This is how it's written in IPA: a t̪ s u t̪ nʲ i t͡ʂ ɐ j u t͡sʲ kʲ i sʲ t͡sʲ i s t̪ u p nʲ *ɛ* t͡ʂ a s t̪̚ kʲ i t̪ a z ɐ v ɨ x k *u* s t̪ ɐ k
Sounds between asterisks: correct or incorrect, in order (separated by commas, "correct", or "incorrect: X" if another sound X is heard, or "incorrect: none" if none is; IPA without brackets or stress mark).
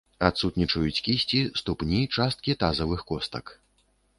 incorrect: i, incorrect: ɔ